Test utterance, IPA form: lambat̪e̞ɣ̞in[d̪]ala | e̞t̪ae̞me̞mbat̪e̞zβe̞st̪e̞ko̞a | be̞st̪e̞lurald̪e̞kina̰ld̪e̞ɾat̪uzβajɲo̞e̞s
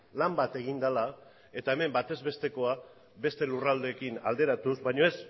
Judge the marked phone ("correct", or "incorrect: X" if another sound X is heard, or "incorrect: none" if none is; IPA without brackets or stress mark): correct